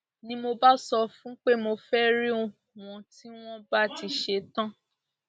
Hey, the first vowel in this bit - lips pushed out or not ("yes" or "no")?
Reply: no